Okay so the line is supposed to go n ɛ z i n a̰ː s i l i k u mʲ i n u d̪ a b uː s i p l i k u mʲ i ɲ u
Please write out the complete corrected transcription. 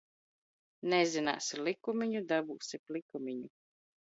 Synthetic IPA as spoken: n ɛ z i n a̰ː s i l i k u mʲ i ɲ u d̪ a b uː s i p l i k u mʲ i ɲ u